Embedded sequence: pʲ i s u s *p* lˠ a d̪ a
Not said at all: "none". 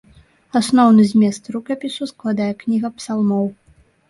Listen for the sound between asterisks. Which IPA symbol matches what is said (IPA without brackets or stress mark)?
k